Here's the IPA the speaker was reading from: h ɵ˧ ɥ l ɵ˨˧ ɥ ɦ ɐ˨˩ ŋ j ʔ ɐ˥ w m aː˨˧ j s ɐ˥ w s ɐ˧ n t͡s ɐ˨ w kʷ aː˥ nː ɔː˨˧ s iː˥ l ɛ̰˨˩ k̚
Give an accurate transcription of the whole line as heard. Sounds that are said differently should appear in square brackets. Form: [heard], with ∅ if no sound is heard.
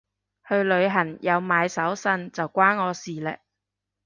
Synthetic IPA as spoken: h ɵ˧ ɥ l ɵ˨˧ ɥ ɦ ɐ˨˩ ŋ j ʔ [ɐ˨˧] w m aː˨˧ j s [ɐ˨˥] w s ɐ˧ n t͡s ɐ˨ w kʷ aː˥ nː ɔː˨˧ s [iː˨] l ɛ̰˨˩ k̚